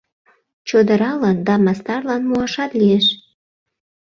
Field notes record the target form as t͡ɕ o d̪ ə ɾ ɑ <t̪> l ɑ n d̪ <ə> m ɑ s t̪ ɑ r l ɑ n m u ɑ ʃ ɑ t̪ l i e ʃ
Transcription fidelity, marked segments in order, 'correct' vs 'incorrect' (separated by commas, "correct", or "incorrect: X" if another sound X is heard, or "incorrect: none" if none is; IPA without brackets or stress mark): incorrect: none, incorrect: ɑ